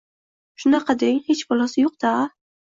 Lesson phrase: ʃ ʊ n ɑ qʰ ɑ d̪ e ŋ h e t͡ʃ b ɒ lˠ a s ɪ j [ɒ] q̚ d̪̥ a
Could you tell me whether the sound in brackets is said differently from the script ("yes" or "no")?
yes